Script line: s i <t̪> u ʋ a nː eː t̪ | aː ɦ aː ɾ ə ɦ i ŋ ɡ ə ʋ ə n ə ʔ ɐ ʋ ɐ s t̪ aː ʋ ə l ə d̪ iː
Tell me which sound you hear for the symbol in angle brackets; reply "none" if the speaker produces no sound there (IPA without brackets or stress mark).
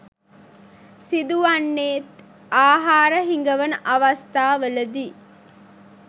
d̪